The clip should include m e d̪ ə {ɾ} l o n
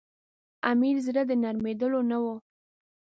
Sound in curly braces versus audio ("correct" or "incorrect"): incorrect